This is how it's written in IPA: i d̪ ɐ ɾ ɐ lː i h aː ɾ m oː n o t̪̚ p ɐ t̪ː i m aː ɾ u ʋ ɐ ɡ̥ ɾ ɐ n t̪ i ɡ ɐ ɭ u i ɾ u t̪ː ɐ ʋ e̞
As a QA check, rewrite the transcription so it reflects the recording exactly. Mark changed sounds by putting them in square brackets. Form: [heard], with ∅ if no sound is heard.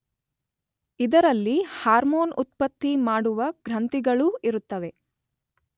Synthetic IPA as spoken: i d̪ ɐ ɾ ɐ lː i h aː ɾ m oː n [u] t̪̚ p ɐ t̪ː i m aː [ɽ] u ʋ ɐ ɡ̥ ɾ ɐ n t̪ i ɡ ɐ ɭ u i ɾ u t̪ː ɐ ʋ e̞